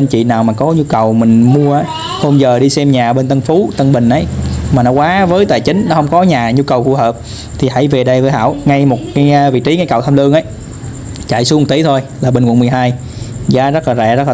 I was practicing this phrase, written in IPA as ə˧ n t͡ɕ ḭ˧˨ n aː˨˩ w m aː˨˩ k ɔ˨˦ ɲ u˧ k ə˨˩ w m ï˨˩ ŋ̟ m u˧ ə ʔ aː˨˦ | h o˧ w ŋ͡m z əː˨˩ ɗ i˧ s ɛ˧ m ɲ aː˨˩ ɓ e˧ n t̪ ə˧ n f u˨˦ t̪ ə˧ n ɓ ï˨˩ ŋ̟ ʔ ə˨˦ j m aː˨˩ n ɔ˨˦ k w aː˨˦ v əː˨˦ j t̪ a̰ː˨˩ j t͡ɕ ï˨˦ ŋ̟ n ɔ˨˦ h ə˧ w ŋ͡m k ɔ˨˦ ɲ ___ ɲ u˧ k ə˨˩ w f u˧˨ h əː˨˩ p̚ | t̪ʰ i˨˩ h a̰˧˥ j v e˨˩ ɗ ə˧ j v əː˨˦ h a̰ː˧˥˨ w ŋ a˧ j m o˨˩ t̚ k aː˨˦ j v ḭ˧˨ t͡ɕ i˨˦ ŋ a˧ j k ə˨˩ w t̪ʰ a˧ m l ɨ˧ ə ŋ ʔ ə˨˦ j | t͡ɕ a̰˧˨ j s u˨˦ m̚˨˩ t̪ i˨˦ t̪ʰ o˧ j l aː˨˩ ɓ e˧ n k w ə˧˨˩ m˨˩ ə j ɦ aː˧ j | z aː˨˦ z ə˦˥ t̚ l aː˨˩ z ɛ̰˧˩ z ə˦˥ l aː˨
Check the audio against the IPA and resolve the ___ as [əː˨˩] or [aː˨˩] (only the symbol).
aː˨˩